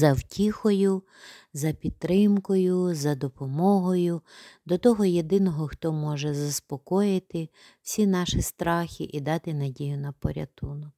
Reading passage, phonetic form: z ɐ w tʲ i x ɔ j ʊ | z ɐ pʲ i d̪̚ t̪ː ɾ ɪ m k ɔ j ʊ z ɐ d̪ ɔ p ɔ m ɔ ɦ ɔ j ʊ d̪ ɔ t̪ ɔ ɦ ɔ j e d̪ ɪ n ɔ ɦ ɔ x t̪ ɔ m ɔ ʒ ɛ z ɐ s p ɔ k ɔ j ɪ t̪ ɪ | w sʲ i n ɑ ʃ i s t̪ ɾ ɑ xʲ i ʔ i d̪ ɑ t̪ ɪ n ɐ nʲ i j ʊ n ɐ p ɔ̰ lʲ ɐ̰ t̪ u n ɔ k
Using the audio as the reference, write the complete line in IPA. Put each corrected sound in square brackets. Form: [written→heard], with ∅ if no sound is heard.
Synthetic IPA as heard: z ɐ w tʲ i x ɔ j ʊ | z ɐ pʲ i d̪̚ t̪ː ɾ ɪ m k ɔ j ʊ z ɐ d̪ ɔ p ɔ m ɔ ɦ ɔ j ʊ d̪ ɔ t̪ ɔ ɦ ɔ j e d̪ ɪ n ɔ ɦ ɔ x t̪ ɔ m ɔ ʒ ɛ z ɐ s p ɔ k ɔ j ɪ t̪ ɪ | w sʲ i n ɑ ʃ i s t̪ ɾ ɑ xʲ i ʔ i d̪ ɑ t̪ ɪ n ɐ [nʲ→dʲ] i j ʊ n ɐ p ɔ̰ [lʲ→ɾʲ] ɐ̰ t̪ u n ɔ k